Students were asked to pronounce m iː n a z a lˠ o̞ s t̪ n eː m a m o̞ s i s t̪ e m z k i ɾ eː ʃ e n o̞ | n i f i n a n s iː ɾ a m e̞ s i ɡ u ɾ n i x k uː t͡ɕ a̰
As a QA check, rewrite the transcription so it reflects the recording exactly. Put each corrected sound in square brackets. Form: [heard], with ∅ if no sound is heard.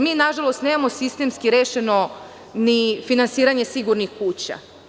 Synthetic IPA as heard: m iː n a [ʒ] a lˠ o̞ s t̪ n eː m a m o̞ s i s t̪ e m [s] k i ɾ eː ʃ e n o̞ | n i f i n a n s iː ɾ a [ɲ] e̞ s i ɡ u ɾ n i x k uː t͡ɕ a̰